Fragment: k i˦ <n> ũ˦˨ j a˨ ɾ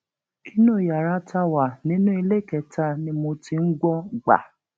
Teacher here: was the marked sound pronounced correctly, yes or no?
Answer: yes